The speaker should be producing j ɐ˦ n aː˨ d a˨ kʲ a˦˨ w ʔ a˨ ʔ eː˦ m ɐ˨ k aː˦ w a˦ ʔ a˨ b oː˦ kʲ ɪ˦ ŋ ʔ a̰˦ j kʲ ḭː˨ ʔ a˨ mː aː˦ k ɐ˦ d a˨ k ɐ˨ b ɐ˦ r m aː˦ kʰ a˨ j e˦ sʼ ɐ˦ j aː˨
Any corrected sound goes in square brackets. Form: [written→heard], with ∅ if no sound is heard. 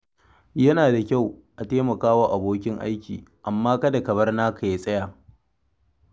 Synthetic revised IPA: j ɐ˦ n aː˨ d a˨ kʲ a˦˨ w ʔ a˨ [ʔ→t] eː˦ m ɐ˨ k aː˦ w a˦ ʔ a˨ b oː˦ kʲ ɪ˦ ŋ ʔ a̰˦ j kʲ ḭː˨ ʔ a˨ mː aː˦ k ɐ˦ d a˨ k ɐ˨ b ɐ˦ r [m→n] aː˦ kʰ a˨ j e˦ sʼ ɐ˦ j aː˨